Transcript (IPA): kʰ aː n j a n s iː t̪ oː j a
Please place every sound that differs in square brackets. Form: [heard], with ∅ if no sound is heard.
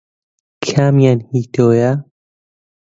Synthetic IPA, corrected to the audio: kʰ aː [m] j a n [h] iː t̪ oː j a